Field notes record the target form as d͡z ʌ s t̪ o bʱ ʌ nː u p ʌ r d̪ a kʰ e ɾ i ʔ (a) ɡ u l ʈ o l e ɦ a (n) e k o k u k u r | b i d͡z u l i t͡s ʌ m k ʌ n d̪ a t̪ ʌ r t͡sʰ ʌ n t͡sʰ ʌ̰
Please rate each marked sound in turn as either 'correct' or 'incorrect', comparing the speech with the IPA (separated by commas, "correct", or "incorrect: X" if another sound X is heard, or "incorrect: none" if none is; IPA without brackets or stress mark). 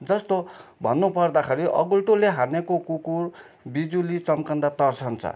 incorrect: ʌ, correct